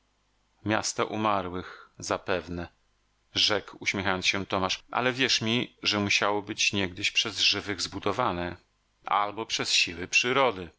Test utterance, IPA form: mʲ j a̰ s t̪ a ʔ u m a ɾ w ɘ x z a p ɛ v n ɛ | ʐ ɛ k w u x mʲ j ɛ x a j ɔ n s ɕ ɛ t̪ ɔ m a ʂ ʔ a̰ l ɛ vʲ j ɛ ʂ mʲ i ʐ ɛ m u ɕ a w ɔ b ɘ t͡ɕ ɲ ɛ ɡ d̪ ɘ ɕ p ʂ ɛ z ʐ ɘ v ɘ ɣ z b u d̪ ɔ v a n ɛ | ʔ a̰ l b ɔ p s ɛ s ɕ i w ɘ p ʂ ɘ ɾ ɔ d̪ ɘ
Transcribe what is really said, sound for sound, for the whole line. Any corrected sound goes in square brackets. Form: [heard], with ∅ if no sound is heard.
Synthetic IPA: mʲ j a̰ s t̪ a ʔ u m a ɾ w ɘ x z a p ɛ v n ɛ | ʐ ɛ k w u [ɕ] mʲ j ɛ x a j ɔ n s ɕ ɛ t̪ ɔ m a ʂ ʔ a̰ l ɛ vʲ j ɛ ʂ mʲ i ʐ ɛ m u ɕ a w ɔ b ɘ t͡ɕ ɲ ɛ ɡ d̪ ɘ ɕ p ʂ ɛ z ʐ ɘ v ɘ ɣ z b u d̪ ɔ v a n ɛ | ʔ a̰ l b ɔ p [ʂ] ɛ s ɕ i w ɘ p ʂ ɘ ɾ ɔ d̪ ɘ